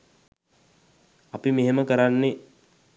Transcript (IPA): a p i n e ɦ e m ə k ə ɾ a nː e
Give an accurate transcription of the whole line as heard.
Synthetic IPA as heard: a p i m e ɦ e m ə k ə ɾ a nː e